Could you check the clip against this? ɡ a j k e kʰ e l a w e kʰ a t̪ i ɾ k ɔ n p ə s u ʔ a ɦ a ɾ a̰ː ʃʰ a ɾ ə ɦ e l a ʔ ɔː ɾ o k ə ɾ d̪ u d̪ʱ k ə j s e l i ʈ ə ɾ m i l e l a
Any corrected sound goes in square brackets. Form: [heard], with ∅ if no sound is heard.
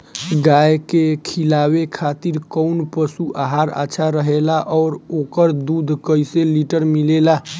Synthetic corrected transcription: ɡ a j k e kʰ [i] l a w e kʰ a t̪ i ɾ k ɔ n p ə s u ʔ a ɦ a ɾ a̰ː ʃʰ a ɾ ə ɦ e l a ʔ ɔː ɾ o k ə ɾ d̪ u d̪ʱ k ə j s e l i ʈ ə ɾ m i l e l a